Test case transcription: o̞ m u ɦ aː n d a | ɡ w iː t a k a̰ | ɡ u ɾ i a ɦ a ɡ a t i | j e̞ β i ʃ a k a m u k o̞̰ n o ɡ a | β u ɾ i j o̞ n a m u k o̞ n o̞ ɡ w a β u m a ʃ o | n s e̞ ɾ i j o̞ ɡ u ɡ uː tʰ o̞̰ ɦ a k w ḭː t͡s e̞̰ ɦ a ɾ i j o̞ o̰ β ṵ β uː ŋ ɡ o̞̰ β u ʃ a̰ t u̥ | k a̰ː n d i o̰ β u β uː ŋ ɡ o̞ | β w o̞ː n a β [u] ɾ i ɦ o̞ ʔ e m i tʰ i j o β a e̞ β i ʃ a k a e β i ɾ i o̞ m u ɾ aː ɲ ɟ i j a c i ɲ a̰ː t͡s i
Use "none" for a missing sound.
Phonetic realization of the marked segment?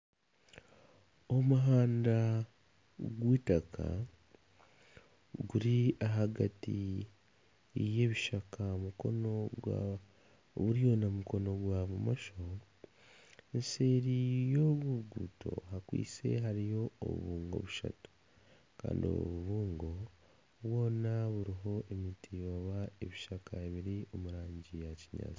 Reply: u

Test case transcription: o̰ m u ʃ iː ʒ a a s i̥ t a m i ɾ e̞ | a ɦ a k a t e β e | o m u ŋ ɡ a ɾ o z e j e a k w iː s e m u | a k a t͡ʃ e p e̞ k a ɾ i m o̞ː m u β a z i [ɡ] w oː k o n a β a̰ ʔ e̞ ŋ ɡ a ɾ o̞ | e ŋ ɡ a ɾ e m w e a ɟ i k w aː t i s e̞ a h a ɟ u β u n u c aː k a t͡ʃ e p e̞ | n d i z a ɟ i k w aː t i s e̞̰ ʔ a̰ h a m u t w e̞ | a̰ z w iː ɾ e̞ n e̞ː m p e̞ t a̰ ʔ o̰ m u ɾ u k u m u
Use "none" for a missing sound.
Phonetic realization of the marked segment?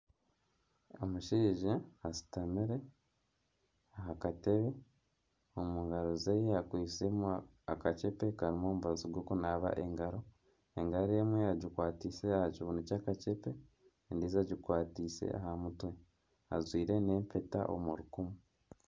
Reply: ɡ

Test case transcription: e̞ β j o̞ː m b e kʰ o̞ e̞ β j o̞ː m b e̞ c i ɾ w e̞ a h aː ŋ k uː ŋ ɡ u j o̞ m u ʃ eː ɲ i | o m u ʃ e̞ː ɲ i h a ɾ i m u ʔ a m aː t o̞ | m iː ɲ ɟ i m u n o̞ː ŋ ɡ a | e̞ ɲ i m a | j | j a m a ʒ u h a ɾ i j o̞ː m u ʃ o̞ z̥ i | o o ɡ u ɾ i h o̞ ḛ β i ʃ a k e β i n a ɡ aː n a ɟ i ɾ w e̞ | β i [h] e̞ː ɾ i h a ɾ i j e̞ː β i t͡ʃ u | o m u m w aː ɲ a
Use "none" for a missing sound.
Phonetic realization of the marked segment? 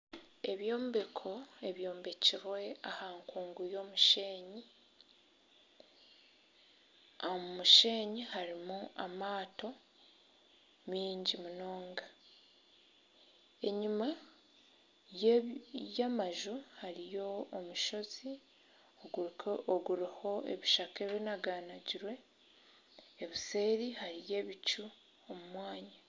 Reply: s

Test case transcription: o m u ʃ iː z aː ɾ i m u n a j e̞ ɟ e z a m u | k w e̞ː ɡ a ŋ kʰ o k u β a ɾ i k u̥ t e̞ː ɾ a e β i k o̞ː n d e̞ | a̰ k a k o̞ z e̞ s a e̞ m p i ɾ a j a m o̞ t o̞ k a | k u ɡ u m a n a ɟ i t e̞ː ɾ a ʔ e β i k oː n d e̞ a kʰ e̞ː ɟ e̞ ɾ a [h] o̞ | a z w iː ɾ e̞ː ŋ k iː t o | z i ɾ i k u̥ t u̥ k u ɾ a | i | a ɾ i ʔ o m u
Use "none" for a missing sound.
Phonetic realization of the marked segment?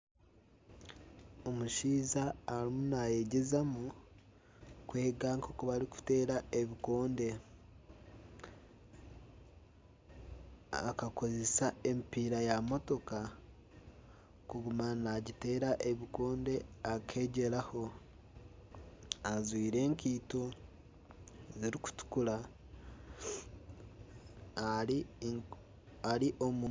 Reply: h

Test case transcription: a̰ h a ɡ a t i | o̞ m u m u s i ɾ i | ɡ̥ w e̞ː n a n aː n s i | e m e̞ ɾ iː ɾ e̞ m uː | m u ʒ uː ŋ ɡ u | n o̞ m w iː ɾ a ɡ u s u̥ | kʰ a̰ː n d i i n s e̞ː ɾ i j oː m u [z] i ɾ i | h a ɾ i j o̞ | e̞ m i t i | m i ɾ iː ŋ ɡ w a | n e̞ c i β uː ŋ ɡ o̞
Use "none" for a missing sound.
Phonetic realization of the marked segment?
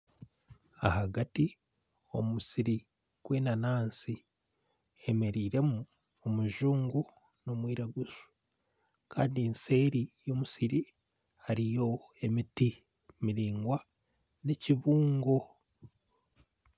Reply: s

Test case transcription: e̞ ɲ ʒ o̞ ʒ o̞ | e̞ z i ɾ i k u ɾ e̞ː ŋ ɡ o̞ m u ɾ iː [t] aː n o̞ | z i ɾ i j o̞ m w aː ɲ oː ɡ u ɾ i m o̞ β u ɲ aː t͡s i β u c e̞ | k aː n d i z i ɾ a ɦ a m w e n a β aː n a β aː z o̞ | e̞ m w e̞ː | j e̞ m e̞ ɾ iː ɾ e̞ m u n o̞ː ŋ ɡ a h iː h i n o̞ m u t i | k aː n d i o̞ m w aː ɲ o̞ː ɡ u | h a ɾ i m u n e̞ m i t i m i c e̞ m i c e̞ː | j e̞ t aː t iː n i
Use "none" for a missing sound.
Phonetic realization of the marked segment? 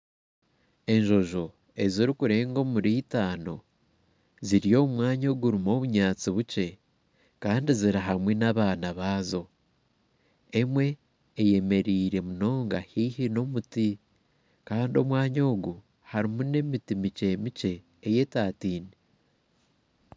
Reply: t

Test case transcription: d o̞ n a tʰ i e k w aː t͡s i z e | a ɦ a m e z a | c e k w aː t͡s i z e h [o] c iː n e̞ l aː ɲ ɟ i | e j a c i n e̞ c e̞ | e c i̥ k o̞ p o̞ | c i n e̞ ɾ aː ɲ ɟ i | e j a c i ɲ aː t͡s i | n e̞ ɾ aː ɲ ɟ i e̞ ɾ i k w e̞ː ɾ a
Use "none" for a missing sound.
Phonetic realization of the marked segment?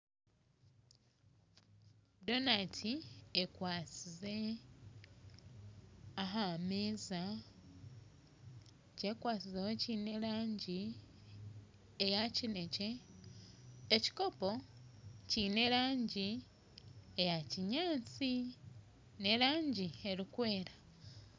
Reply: o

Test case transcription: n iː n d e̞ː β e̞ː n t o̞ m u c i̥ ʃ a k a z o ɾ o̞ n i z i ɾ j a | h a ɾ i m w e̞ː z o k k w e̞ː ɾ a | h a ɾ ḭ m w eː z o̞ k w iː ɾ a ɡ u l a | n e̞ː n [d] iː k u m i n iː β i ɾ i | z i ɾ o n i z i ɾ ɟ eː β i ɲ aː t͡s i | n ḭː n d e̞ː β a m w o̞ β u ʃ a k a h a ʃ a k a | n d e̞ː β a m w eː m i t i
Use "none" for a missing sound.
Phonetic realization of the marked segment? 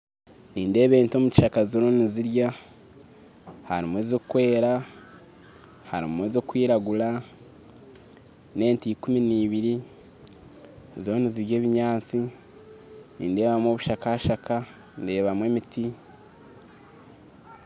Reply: t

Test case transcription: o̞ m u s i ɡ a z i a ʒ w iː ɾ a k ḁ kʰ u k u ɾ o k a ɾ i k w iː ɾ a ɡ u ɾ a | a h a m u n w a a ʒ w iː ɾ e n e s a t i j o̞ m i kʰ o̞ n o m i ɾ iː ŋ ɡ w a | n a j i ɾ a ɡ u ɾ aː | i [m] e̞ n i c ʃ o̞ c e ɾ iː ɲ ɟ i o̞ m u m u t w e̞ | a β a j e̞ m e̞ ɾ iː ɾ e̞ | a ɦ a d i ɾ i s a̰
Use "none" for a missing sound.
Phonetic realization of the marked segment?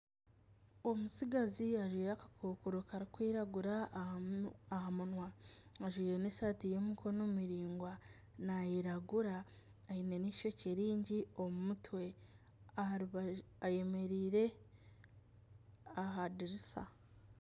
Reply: n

